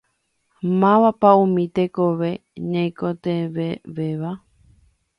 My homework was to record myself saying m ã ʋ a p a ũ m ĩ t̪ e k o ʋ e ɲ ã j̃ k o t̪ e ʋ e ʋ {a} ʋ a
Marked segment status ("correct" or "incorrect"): incorrect